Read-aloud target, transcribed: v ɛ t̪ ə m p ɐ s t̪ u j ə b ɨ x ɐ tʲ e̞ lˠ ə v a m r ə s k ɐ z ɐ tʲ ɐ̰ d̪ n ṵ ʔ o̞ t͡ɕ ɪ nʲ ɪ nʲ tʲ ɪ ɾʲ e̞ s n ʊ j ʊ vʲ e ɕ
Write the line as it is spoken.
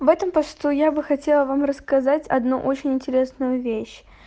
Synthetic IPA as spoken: v ɛ t̪ ə m p ɐ s t̪ u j a b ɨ x ɐ tʲ e̞ lˠ ə v a m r ə s k ɐ z a tʲ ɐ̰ d̪ n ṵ ʔ o̞ t͡ɕ ɪ nʲ ɪ nʲ tʲ ɪ ɾʲ e̞ s n ʊ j ʊ vʲ e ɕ